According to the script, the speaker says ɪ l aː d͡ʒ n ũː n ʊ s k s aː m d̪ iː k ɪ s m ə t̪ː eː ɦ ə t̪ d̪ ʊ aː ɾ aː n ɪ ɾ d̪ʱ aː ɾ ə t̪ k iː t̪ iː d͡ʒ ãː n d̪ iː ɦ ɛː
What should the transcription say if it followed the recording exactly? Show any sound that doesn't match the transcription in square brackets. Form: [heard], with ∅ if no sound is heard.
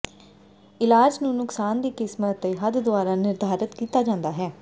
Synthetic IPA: ɪ l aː d͡ʒ n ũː n ʊ [∅] k s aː [n] d̪ iː k ɪ s m ə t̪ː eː ɦ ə [d̪] d̪ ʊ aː ɾ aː n ɪ ɾ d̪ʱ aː ɾ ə t̪ k iː t̪ [aː] d͡ʒ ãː n d̪ [aː] ɦ ɛː